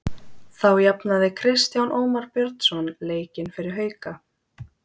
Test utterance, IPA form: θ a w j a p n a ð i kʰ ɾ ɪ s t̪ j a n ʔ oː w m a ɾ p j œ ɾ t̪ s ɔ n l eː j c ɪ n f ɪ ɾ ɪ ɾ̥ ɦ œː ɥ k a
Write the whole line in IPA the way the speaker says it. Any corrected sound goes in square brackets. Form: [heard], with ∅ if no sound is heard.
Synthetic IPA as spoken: θ a w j a p n a ð [ɪ] kʰ ɾ ɪ s t̪ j a n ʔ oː w m a ɾ p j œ ɾ t̪ s ɔ n l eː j c ɪ n f ɪ ɾ ɪ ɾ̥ ɦ œː ɥ k a